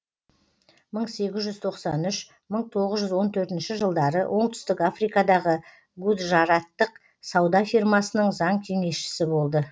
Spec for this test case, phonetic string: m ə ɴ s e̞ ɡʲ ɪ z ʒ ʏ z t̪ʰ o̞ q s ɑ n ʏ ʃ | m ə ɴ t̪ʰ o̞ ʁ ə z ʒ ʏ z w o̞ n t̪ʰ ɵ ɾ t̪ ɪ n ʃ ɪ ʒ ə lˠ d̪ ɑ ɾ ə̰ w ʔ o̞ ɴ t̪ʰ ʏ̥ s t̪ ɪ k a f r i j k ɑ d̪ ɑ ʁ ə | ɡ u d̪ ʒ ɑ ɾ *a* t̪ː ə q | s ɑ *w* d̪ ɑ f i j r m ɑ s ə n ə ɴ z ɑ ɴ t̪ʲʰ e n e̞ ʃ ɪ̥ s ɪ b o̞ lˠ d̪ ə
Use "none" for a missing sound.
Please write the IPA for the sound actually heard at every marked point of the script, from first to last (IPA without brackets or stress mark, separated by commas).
ɑ, w